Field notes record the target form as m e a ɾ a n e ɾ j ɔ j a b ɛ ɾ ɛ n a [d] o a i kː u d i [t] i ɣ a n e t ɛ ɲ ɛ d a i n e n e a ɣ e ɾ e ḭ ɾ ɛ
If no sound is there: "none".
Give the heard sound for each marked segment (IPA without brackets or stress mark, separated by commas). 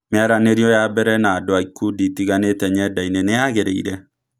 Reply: d, t